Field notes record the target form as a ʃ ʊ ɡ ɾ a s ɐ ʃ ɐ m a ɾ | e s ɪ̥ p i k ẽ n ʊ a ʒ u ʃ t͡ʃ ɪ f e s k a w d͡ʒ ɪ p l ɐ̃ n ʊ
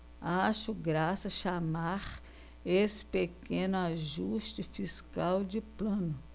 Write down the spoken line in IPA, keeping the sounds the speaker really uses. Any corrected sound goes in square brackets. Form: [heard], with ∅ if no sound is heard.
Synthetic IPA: a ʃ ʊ ɡ ɾ a s ɐ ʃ [a] m a ɾ | e s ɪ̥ p [e] k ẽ n ʊ a ʒ u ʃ t͡ʃ ɪ f [i] s k a w d͡ʒ ɪ p l ɐ̃ n ʊ